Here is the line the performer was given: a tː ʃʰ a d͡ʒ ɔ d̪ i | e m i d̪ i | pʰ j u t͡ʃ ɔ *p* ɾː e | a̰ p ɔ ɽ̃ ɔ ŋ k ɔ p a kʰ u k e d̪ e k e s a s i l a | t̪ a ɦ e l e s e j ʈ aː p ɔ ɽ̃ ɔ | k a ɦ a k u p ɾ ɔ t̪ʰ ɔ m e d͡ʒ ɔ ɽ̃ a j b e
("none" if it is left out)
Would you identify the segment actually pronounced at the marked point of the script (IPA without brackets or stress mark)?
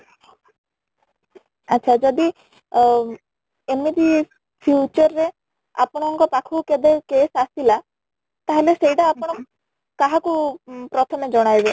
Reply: none